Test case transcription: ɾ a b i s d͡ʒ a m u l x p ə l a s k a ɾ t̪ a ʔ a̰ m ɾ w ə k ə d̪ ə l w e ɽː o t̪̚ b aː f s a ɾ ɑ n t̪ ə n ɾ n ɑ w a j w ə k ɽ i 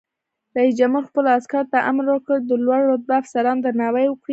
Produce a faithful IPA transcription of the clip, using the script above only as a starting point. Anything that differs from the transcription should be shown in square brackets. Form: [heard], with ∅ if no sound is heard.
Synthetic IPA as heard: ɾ a [∅] i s d͡ʒ a m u [ɾ] x p ə l a s k a ɾ t̪ a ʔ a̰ m ɾ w ə k ə d̪ ə l w [a] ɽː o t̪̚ b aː f s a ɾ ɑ n [d̪] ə [∅] ɾ n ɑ w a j w ə k ɽ i